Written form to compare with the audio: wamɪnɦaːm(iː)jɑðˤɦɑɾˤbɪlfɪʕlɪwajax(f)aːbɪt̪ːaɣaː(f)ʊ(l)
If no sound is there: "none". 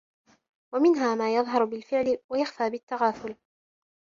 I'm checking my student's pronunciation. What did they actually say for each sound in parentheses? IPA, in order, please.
aː, f, θ, l

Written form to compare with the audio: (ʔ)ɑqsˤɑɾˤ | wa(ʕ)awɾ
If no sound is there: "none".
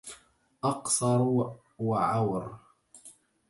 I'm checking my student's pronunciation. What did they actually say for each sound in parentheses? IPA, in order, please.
ʔ, ʕ

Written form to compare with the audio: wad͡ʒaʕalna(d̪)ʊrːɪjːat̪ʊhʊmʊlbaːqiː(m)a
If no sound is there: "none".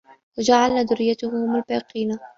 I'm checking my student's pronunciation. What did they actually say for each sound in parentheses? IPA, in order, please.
d̪, n

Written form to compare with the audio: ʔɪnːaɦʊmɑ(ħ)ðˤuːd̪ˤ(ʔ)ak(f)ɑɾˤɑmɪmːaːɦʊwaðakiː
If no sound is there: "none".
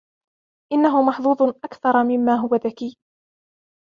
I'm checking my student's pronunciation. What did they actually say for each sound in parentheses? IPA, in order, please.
ħ, ʔ, θ

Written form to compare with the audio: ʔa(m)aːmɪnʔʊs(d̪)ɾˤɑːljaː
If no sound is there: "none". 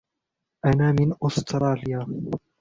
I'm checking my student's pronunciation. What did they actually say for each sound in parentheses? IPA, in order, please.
n, t̪

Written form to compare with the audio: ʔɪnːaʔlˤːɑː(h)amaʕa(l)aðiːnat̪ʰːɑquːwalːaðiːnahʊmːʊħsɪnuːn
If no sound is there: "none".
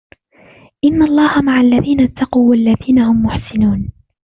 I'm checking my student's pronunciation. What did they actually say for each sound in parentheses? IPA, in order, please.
h, lː

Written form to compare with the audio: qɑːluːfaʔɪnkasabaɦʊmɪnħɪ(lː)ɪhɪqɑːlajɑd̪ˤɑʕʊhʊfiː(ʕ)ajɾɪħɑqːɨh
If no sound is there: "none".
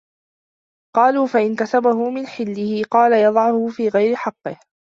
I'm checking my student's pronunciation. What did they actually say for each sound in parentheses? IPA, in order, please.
lː, ɣ

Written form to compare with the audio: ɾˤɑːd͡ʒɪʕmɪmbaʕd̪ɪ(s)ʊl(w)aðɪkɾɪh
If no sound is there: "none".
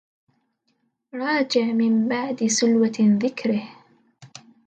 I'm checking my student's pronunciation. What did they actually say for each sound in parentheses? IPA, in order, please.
s, w

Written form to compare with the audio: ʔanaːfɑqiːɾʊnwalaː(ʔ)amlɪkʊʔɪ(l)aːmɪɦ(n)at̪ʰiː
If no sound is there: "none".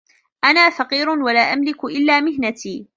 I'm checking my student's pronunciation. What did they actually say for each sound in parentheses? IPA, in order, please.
ʔ, lː, n

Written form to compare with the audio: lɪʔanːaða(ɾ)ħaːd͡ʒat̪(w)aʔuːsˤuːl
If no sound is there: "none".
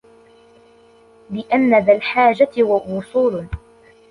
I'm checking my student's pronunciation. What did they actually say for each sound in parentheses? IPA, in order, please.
l, w

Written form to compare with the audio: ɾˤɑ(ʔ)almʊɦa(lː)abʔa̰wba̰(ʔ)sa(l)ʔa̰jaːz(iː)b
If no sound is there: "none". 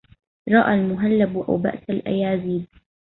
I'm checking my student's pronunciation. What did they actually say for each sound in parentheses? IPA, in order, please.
ʔ, lː, ʔ, l, iː

